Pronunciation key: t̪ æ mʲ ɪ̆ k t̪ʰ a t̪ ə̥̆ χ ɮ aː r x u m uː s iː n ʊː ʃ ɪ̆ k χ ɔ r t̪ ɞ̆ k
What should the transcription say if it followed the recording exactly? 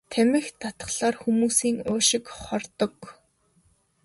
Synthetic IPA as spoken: t̪ʰ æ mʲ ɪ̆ x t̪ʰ a t̪ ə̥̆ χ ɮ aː r x u m uː s iː ŋ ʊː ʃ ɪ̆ k χ ɔ r t̪ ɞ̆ k